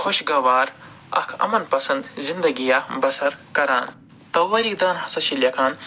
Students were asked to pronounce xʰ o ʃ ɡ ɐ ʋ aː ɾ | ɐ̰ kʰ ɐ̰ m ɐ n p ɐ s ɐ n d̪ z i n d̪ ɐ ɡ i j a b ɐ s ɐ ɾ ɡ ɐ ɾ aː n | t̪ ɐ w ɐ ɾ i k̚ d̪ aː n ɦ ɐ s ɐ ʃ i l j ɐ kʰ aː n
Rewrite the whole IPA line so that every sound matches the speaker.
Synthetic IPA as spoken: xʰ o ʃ ɡ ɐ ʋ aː ɾ | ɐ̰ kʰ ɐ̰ m ɐ n p ɐ s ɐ n d̪ z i n d̪ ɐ ɡ i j a b ɐ s ɐ ɾ k ɐ ɾ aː n | t̪ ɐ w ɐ ɾ i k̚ d̪ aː n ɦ ɐ s ɐ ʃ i l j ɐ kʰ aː n